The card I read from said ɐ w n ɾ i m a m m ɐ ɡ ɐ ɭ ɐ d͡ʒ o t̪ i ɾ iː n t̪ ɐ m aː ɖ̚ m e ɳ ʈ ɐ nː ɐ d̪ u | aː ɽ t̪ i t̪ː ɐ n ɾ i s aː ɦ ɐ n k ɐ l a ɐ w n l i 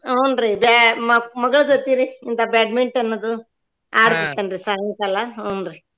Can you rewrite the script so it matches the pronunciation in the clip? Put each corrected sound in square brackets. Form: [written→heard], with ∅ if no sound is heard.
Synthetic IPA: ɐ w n ɾ i [m→b] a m m ɐ ɡ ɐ ɭ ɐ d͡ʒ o t̪ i ɾ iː n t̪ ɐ [m→b] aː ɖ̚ m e ɳ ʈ ɐ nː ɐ d̪ u | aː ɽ t̪ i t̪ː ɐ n ɾ i s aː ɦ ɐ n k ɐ l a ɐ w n [l→ɾ] i